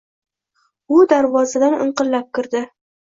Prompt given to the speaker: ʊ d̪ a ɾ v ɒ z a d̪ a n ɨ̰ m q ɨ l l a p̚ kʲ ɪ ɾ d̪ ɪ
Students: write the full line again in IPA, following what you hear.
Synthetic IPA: ʊ d̪ a ɾ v ɒ z a d̪ a n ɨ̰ ɴ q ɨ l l a p̚ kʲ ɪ ɾ d̪ ɪ